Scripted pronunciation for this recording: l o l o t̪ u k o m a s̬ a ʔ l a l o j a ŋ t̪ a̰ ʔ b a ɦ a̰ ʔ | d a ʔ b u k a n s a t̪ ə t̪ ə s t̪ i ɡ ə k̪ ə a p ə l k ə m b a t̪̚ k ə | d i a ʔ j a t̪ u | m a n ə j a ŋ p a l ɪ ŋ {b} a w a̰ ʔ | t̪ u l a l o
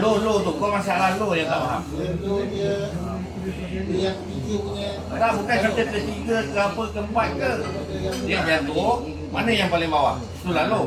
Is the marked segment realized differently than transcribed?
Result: no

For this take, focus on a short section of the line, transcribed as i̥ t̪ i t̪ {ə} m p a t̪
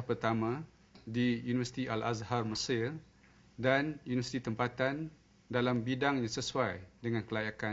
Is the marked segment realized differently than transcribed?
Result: no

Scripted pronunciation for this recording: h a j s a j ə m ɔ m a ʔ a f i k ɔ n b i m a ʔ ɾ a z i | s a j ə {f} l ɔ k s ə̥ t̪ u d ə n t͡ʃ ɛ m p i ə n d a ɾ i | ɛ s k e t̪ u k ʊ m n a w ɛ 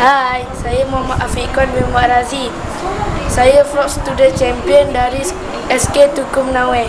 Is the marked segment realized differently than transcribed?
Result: no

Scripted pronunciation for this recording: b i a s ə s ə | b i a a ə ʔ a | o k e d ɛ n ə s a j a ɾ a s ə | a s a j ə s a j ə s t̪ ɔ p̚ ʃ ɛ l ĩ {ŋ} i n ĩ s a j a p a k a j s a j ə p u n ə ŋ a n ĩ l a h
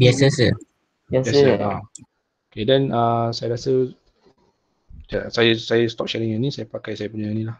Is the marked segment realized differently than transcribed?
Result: no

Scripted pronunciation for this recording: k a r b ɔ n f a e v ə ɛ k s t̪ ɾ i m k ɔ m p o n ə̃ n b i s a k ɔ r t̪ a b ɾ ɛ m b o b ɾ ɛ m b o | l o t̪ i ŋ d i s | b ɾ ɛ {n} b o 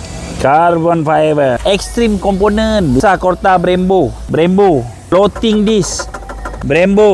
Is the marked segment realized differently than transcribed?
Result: yes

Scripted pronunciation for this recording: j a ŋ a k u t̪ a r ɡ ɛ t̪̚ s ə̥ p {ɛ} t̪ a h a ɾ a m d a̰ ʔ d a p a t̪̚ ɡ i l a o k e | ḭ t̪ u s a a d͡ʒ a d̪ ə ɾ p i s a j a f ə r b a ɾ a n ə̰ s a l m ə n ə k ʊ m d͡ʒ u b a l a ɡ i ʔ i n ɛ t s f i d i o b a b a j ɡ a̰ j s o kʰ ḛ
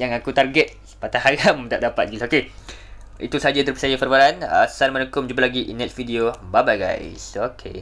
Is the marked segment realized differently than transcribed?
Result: yes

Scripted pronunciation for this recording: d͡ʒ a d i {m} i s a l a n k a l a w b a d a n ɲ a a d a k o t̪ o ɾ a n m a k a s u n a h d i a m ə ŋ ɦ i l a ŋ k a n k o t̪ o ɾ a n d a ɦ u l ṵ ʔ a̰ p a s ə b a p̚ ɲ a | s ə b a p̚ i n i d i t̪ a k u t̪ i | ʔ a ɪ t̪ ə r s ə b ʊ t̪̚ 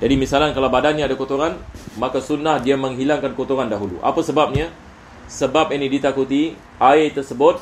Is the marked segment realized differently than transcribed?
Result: no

